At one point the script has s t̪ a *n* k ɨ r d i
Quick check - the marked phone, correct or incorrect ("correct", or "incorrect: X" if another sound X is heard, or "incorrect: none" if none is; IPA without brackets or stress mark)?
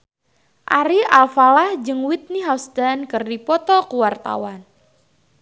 correct